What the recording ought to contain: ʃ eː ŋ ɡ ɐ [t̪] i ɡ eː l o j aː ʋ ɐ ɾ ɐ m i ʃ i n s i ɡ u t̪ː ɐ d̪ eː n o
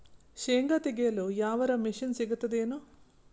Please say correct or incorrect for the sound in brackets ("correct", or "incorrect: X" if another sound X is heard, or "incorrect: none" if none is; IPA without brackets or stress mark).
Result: correct